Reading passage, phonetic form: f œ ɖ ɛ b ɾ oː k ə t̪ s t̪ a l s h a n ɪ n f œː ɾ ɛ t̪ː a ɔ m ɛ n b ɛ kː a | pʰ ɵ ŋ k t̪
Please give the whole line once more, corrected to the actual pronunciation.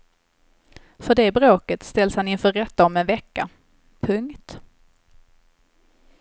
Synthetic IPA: f œ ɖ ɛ b ɾ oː k ə t̪ s t̪ ɛ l s h a n ɪ n f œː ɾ ɛ t̪ː a ɔ m ɛ n v ɛ kː a | pʰ ɵ ŋ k t̪

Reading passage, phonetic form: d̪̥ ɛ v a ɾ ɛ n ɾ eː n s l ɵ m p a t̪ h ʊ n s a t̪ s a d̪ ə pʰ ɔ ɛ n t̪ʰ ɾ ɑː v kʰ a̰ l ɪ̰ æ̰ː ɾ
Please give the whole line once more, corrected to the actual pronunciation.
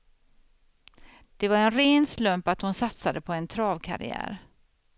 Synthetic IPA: d̪̥ ɛ v a ɾ ɛ n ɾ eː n s l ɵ m p a t̪ h ʊ n s a t̪ s a d̪ ə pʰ ɔ ɛ n t̪ʰ ɾ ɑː v kʰ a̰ ɾ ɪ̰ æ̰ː ɾ

